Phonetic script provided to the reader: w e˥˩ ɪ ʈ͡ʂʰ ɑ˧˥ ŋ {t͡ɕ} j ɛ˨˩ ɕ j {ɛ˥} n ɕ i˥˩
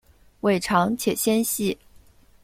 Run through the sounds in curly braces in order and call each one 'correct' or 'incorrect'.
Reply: incorrect: t͡ɕʰ, correct

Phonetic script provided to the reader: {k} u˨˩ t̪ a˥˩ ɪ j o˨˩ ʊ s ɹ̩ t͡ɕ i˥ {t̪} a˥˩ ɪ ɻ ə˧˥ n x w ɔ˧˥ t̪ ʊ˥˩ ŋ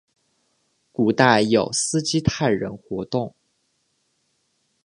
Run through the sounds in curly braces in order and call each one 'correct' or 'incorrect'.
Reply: correct, incorrect: t̪ʰ

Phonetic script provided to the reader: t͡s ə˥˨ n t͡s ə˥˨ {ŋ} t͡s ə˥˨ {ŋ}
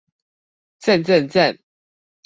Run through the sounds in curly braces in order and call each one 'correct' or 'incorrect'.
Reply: incorrect: n, incorrect: n

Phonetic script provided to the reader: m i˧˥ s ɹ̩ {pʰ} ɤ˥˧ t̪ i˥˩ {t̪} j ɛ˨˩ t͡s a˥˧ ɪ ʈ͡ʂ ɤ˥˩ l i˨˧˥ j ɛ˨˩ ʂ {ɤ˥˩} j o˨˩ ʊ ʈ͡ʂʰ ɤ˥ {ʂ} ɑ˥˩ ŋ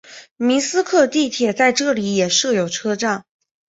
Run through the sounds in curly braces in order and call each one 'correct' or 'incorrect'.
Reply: incorrect: kʰ, incorrect: t̪ʰ, correct, incorrect: ʈ͡ʂ

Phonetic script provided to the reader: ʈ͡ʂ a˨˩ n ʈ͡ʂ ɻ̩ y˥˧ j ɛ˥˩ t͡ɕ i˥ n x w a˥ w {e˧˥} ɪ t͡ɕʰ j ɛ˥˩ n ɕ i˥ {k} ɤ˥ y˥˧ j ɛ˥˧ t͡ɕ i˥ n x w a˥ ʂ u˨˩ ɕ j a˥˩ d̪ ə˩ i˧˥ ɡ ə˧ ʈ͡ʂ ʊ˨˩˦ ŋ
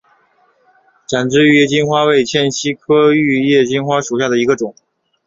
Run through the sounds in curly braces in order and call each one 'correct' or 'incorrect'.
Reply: incorrect: e˥˩, incorrect: kʰ

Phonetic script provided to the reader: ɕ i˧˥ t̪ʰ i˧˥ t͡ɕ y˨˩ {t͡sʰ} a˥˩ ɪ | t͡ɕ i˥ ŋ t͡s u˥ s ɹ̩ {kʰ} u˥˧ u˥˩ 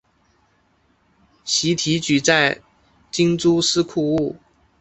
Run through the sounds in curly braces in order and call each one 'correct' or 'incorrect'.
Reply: incorrect: t͡s, correct

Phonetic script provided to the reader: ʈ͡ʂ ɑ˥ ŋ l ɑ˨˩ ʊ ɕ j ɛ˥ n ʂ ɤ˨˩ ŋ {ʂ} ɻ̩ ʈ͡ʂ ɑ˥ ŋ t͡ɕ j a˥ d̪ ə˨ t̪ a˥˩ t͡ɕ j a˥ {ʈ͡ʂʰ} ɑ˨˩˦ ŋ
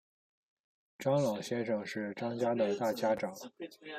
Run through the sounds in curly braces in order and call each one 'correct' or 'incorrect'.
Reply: correct, incorrect: ʈ͡ʂ

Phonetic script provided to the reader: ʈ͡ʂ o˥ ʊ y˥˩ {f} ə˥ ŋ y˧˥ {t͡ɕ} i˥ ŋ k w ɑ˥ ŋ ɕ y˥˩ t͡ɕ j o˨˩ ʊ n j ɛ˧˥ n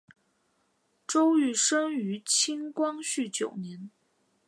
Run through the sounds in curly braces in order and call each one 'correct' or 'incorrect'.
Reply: incorrect: ʂ, incorrect: t͡ɕʰ

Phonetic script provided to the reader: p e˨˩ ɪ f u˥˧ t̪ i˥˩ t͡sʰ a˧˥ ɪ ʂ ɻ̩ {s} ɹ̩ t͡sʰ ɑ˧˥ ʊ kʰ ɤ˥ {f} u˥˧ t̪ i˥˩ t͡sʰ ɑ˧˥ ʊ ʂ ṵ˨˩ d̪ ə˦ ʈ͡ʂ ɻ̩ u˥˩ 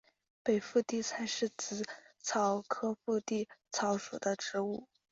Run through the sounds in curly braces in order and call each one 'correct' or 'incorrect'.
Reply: incorrect: t͡s, correct

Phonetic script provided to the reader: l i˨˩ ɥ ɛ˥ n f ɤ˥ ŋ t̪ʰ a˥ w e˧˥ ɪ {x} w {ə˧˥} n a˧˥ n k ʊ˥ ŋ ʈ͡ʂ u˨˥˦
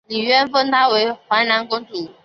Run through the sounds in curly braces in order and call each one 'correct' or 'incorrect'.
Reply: correct, incorrect: a˧˥

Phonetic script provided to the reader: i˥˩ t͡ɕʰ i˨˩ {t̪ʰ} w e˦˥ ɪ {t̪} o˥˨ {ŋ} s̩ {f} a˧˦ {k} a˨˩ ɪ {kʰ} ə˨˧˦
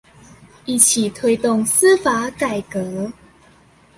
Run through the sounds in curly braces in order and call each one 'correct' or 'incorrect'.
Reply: correct, correct, correct, correct, correct, incorrect: k

